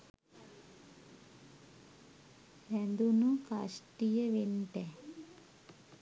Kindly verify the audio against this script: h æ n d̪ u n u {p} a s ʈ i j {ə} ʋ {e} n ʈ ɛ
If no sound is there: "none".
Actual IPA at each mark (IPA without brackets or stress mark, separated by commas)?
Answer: k, ə, e